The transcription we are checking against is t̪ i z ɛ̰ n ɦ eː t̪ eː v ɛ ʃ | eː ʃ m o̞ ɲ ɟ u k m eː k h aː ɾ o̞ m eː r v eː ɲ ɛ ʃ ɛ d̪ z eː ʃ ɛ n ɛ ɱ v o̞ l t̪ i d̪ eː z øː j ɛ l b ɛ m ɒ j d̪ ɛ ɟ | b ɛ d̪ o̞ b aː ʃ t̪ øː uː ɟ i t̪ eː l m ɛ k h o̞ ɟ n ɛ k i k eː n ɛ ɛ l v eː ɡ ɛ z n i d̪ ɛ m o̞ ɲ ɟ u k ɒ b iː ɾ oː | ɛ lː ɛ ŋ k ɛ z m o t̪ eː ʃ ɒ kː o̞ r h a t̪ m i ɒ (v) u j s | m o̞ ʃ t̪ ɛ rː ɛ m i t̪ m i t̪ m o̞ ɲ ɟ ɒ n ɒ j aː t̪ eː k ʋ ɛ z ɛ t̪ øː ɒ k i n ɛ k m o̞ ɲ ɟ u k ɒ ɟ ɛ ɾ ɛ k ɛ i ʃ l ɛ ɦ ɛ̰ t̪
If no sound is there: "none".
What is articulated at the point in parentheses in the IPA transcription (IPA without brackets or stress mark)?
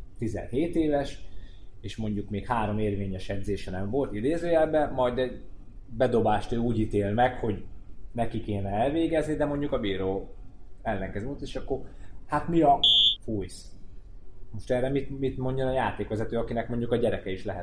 f